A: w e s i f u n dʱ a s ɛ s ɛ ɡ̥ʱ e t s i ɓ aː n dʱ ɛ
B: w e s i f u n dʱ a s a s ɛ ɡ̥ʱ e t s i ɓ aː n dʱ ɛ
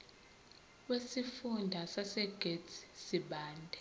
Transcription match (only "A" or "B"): B